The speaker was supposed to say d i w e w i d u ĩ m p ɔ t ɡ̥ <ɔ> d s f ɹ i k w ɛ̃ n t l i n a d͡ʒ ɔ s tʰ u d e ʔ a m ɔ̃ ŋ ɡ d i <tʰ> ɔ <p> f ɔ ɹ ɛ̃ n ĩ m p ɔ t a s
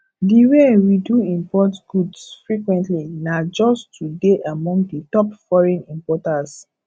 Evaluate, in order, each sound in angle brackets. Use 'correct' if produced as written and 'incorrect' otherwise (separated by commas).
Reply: incorrect, incorrect, correct